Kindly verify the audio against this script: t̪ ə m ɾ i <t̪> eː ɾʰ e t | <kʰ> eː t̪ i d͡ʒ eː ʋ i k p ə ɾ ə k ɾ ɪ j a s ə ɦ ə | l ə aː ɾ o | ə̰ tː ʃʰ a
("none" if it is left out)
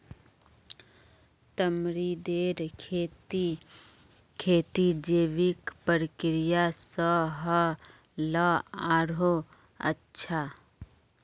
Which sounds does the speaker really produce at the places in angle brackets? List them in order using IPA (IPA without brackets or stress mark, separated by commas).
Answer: d̪, kʰ